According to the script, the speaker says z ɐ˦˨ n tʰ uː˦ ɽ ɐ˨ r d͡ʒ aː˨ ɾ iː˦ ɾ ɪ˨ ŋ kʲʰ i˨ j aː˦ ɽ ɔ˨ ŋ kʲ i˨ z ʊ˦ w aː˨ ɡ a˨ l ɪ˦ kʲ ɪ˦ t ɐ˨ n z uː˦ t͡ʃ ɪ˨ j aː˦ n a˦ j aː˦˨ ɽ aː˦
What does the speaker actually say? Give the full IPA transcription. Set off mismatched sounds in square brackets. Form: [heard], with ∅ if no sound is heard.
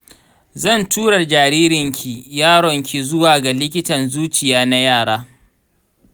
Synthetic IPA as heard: z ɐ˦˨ n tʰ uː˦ ɽ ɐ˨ r d͡ʒ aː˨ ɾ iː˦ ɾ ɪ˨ ŋ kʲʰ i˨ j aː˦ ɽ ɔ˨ ŋ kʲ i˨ z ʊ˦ w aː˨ ɡ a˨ l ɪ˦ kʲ ɪ˦ t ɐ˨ n z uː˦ t͡ʃ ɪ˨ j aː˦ n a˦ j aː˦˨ ɽ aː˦

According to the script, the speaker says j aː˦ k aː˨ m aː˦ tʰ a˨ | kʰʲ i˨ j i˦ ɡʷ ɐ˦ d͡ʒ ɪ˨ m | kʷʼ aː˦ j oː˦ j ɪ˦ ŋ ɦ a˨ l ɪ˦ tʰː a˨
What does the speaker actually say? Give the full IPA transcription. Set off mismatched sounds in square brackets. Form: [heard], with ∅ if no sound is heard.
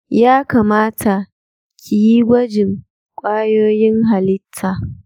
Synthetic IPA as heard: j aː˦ k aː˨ m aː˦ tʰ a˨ | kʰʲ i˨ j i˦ ɡʷ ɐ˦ d͡ʒ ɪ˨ [ŋ] | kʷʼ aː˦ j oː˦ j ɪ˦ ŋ ɦ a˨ l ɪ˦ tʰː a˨

